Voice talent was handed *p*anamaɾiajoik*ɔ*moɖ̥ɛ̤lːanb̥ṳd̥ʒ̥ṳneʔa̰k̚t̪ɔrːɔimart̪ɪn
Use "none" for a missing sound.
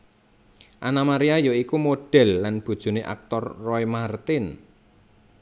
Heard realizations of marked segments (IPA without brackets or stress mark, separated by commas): ʔ, u